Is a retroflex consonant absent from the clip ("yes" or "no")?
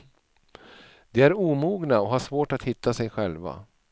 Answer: no